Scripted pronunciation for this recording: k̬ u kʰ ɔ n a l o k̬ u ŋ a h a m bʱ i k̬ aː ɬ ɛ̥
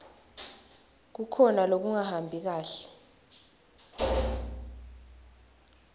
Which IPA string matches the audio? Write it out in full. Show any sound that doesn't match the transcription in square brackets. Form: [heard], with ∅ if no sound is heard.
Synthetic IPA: k̬ u kʰ ɔ n a l o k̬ u ŋ a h a m bʱ i k̬ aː ɬ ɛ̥